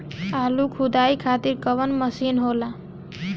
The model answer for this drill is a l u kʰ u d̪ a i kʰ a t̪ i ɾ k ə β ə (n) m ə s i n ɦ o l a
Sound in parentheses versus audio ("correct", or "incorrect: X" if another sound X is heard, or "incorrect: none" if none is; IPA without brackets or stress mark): correct